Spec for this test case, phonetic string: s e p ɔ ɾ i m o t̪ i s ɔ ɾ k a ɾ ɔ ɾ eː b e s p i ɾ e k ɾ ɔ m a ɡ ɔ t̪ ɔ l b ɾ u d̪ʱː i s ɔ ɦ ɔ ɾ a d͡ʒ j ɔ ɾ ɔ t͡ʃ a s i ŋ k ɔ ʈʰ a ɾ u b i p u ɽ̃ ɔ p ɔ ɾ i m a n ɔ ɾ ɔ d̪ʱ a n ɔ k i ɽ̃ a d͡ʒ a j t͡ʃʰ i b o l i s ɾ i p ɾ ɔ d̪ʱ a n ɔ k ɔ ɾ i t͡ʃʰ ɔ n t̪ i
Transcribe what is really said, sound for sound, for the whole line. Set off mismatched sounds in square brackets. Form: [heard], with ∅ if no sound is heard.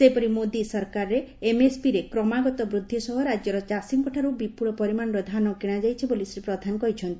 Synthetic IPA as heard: s e p ɔ ɾ i m o [d̪] i s ɔ ɾ k a ɾ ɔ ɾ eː [m] e s p i ɾ e k ɾ ɔ m a ɡ ɔ t̪ ɔ [∅] b ɾ u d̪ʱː i s ɔ ɦ ɔ ɾ a d͡ʒ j ɔ ɾ ɔ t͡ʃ a s i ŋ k ɔ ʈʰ a ɾ u b i p u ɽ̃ ɔ p ɔ ɾ i m a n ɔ ɾ ɔ d̪ʱ a n ɔ k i ɽ̃ a d͡ʒ a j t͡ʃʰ i b o l i s ɾ i p ɾ ɔ d̪ʱ a n ɔ k ɔ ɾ i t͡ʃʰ ɔ n t̪ i